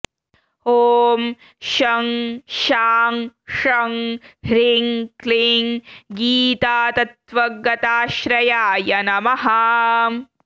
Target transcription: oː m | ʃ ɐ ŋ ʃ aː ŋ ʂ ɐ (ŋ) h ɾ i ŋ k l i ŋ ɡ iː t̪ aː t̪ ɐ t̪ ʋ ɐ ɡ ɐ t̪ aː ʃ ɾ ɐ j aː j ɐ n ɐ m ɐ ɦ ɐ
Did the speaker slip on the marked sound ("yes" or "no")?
no